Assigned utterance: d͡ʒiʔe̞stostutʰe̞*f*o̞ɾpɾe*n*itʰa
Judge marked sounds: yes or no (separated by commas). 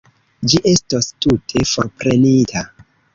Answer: yes, yes